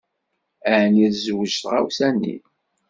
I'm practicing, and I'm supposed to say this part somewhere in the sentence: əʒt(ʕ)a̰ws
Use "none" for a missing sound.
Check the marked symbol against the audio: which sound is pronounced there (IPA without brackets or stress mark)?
ʁ